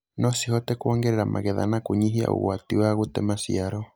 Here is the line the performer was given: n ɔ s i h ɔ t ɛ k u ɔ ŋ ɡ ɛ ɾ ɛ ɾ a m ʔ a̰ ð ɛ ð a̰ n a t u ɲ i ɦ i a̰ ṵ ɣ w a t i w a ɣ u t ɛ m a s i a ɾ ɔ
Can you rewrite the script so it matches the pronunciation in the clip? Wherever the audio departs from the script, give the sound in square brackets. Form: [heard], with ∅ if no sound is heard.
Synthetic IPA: n ɔ s i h ɔ t ɛ k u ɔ ŋ ɡ ɛ ɾ ɛ ɾ a m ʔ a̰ [ɣ] ɛ ð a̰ n a [k] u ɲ i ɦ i a̰ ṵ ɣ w a t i w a ɣ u t ɛ m a s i a ɾ ɔ